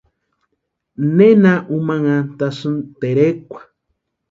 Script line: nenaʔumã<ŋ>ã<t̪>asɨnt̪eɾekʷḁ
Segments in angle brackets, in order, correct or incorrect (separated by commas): correct, correct